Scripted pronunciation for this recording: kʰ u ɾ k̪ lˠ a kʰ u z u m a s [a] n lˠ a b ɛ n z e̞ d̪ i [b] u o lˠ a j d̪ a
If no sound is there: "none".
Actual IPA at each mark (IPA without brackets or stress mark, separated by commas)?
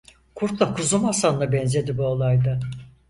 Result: a, b